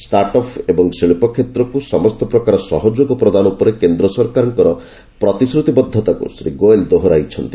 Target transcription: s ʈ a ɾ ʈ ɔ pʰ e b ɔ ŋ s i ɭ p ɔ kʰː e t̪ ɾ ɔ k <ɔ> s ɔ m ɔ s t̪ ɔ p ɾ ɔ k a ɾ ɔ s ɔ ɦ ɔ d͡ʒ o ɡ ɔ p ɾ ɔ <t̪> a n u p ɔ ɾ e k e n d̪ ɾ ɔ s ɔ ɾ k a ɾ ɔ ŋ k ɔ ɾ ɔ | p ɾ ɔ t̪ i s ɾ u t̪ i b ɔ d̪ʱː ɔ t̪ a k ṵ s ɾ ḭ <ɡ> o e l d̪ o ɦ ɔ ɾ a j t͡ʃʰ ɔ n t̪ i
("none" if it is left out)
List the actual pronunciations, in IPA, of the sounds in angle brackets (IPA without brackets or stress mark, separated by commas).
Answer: u, d̪, ɡ